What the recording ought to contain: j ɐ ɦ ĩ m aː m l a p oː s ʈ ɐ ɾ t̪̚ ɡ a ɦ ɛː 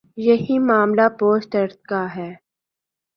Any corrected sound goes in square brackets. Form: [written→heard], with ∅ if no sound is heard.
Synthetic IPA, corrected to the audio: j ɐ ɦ [ĩ→i] m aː m l a p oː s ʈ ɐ ɾ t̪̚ [ɡ→k] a ɦ ɛː